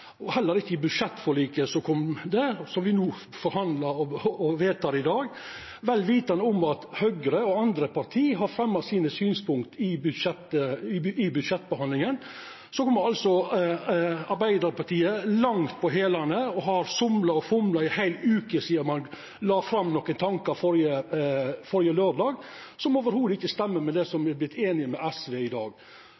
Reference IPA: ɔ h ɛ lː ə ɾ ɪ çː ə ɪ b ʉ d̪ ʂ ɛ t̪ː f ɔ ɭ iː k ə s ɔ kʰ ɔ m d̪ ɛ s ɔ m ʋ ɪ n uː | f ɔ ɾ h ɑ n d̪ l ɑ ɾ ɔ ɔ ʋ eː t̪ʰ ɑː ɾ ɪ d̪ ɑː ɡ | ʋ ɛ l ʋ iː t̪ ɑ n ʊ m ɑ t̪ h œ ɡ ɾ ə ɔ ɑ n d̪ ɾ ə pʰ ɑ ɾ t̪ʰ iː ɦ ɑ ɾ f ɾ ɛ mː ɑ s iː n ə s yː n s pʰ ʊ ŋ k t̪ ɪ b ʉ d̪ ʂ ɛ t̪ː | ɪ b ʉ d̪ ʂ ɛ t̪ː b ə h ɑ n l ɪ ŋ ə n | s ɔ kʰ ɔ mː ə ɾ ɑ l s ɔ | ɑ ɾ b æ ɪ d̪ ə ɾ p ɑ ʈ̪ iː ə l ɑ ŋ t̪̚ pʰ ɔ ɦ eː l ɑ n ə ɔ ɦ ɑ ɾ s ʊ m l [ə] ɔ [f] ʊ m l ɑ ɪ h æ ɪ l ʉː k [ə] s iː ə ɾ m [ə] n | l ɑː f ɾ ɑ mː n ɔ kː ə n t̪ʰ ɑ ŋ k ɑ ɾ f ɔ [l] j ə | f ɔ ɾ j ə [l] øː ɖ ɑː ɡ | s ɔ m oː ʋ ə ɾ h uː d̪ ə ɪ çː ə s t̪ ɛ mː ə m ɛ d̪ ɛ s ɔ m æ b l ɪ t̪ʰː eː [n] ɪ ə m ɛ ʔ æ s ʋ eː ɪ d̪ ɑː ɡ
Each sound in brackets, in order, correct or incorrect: incorrect: ɑ, correct, correct, incorrect: ɑ, incorrect: ɾ, correct, correct

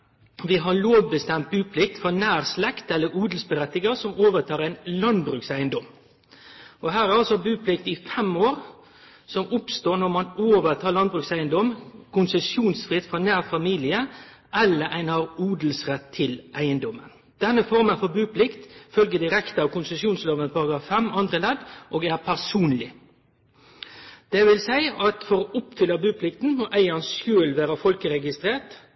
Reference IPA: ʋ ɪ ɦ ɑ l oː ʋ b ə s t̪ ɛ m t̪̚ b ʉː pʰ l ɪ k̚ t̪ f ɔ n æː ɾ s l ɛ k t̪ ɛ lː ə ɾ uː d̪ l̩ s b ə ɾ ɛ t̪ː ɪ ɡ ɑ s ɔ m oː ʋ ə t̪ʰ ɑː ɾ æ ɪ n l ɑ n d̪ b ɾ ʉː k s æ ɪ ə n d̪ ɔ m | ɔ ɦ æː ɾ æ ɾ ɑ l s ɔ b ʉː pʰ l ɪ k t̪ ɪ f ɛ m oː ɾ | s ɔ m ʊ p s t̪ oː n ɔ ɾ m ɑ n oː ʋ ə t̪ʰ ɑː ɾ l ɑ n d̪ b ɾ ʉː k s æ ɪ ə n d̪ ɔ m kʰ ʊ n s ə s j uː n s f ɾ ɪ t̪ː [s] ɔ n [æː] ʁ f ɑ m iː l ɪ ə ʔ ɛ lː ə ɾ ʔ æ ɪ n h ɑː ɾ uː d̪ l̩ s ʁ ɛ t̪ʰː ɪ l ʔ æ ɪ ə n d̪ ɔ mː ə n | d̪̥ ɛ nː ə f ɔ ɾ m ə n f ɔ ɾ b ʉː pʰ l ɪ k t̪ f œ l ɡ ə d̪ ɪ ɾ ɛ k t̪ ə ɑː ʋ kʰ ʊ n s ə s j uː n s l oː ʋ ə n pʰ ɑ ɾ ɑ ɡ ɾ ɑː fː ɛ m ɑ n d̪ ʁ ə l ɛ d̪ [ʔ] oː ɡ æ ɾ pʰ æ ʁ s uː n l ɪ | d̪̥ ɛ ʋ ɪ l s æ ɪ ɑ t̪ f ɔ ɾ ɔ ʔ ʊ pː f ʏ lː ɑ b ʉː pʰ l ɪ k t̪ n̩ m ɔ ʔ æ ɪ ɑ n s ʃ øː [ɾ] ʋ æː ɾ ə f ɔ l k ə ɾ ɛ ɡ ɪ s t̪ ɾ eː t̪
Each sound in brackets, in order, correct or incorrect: incorrect: f, correct, correct, incorrect: l

